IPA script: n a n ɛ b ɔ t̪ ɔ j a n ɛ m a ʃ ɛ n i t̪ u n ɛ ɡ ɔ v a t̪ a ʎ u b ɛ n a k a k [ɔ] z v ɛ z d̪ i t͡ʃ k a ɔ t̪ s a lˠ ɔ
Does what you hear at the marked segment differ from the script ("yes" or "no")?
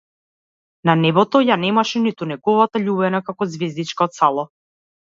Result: no